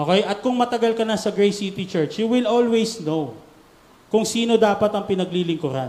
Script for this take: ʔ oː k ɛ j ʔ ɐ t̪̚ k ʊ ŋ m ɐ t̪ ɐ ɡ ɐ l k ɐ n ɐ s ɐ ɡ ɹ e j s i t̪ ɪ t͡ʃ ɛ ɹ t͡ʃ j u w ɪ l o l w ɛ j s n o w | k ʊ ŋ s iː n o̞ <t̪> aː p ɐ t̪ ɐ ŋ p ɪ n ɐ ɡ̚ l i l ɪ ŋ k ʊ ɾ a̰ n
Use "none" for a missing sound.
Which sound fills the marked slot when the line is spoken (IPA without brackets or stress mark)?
d̪